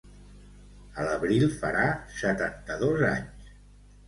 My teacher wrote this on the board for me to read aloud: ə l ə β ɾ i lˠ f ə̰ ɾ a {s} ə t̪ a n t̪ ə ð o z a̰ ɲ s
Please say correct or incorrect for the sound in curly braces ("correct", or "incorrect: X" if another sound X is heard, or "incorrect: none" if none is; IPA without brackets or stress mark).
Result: correct